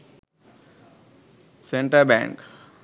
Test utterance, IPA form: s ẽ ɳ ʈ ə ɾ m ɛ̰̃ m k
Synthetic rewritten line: s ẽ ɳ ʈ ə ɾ b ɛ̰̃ ŋ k